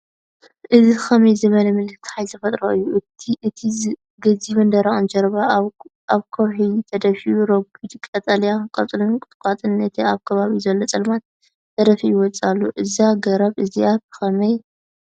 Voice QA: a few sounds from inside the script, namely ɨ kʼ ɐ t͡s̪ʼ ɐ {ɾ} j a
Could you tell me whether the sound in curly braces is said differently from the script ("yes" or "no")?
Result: yes